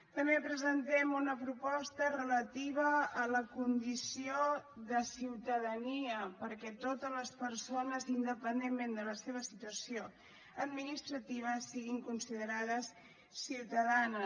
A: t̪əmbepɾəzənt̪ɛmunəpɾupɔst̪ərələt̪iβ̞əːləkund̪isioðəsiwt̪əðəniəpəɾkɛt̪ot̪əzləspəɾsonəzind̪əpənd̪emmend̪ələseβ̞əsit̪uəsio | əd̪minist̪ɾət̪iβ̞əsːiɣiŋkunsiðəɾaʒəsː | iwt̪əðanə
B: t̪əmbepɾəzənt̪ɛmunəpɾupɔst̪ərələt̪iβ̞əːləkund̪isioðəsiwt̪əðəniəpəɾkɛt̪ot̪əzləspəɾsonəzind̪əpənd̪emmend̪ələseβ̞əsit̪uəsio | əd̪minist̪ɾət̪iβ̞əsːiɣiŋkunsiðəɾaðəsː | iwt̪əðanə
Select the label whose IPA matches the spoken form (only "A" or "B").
B